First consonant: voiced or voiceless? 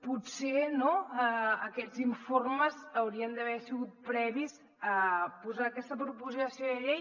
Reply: voiceless